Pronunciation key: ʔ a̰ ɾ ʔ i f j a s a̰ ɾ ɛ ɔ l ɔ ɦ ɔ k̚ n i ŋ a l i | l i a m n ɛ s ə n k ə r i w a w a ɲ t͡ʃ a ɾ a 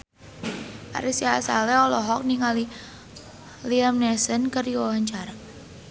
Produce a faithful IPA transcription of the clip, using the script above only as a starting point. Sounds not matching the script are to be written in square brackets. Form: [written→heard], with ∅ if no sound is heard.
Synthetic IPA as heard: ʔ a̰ ɾ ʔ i [f→s] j a s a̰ [ɾ→l] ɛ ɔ l ɔ ɦ ɔ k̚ n i ŋ a l i | l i a m n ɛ s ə n k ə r i w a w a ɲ t͡ʃ a ɾ a